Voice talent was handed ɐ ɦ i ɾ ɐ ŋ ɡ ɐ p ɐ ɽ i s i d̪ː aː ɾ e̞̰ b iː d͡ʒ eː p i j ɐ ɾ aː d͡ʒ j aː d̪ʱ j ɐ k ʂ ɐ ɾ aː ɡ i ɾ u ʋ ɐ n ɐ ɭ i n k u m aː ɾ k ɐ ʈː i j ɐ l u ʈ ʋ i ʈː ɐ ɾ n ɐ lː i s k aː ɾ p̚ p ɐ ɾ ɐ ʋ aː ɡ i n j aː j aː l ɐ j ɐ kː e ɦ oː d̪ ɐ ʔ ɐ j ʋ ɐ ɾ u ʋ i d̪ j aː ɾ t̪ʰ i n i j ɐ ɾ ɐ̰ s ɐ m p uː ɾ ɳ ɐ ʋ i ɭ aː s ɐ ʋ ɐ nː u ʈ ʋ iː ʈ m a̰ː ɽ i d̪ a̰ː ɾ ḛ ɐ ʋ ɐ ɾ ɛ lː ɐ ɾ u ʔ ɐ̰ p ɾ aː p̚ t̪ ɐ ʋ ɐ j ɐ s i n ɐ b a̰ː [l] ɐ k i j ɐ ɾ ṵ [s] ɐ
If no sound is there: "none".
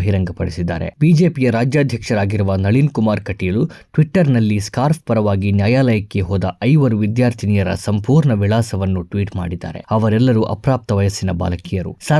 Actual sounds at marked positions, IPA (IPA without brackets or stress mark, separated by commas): l, s